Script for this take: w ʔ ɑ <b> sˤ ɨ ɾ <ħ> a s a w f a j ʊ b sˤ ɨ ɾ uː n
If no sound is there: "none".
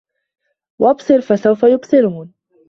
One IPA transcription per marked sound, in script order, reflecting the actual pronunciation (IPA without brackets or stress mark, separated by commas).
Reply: b, f